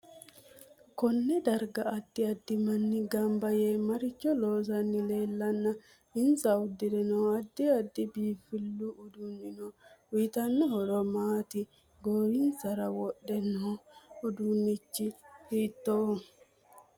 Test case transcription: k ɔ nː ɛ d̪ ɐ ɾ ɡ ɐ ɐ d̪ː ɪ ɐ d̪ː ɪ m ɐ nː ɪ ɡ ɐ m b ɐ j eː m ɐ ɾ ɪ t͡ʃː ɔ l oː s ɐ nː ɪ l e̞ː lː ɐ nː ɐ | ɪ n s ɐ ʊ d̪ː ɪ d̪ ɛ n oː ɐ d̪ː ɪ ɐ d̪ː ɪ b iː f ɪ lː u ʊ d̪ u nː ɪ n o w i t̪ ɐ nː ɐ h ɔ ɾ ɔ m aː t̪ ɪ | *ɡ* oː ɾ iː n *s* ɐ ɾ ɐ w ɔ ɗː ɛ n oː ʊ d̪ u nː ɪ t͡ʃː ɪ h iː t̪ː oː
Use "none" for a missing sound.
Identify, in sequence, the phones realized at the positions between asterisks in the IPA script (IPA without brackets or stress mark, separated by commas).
ɡ, s